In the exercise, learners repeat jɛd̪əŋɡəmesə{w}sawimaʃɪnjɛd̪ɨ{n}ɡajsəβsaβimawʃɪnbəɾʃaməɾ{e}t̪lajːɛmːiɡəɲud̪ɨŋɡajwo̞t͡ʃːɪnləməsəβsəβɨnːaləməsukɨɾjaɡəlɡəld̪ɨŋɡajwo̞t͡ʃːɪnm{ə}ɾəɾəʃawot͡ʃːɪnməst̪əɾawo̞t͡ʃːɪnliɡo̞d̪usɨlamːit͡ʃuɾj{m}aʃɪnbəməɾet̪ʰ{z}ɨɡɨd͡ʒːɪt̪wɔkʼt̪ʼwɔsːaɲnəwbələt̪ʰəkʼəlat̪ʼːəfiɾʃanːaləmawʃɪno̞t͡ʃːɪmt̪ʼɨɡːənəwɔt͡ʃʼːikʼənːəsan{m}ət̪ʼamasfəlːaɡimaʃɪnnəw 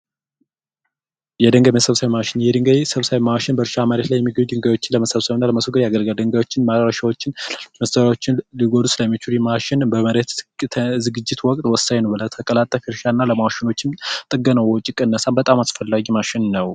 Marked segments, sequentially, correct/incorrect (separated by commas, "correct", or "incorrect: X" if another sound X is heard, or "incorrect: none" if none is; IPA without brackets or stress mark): incorrect: β, incorrect: ŋ, correct, incorrect: a, correct, correct, incorrect: b